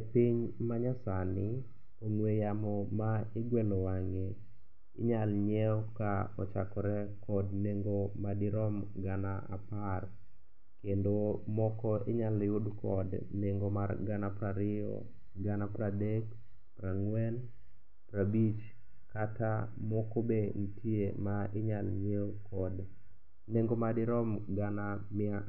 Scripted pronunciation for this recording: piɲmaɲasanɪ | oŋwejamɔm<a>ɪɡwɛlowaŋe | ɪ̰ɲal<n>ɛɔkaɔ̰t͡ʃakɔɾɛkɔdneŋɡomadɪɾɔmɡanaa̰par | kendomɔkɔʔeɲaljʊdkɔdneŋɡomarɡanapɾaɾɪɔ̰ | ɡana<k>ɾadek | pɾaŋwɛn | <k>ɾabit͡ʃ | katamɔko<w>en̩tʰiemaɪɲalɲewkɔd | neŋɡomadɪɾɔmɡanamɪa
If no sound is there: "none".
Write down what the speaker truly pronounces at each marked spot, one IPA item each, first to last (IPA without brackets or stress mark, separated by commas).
a, ɲ, p, p, b